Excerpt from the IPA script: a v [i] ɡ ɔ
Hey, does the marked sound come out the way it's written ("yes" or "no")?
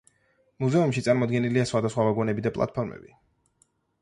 no